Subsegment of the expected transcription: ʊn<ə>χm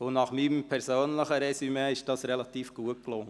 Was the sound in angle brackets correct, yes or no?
no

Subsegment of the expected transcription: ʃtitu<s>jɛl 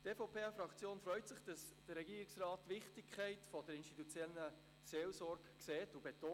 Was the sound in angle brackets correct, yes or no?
no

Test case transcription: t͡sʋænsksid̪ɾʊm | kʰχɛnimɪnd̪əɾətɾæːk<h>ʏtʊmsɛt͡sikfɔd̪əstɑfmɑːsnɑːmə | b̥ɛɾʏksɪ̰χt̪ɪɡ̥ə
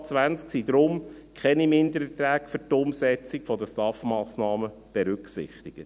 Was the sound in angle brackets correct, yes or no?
no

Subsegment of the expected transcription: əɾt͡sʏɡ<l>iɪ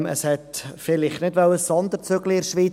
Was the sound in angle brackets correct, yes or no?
yes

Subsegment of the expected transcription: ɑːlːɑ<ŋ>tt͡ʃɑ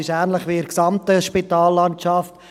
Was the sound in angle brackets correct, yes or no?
no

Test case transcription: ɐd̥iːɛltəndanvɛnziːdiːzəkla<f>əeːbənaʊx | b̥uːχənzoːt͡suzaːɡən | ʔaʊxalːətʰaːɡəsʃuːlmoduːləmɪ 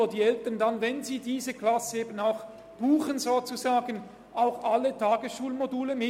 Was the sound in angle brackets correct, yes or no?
no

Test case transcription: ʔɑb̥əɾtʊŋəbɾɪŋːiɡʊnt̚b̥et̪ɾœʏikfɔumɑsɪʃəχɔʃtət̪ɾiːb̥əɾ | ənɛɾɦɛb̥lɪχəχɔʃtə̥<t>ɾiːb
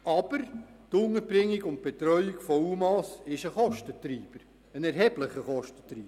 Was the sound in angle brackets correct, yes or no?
yes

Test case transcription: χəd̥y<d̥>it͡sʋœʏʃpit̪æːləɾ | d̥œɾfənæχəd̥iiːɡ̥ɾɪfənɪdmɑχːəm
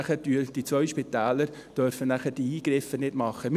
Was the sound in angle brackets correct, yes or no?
yes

